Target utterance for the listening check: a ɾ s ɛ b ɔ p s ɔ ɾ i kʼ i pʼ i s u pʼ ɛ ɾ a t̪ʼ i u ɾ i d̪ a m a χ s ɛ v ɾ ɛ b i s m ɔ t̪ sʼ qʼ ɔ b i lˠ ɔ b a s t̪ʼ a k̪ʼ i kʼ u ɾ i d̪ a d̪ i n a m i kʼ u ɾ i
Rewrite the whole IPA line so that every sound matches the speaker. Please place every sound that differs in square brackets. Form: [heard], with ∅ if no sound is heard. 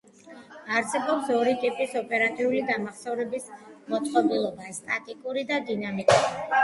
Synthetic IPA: a ɾ s ɛ b ɔ p s ɔ ɾ i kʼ i pʼ i s [ɔ] pʼ ɛ ɾ a t̪ʼ i u [l] i d̪ a m a χ s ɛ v ɾ ɛ b i s m ɔ t̪ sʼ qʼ ɔ b i lˠ ɔ b a s t̪ʼ a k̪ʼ i kʼ u ɾ i d̪ a d̪ i n a m i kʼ u ɾ i